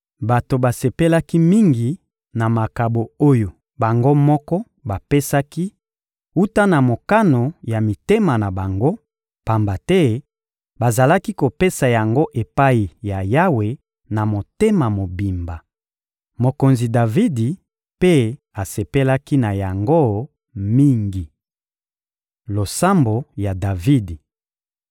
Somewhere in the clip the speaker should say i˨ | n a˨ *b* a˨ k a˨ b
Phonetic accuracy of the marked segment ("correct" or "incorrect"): incorrect